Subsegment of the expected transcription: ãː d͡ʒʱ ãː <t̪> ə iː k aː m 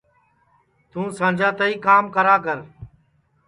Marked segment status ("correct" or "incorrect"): correct